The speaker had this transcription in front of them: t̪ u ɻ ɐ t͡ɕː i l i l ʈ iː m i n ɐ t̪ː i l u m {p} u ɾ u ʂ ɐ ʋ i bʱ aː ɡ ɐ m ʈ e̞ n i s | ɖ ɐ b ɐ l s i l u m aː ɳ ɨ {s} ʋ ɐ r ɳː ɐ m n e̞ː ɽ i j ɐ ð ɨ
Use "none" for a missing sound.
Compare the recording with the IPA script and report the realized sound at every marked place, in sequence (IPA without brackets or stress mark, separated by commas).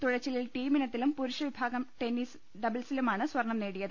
p, s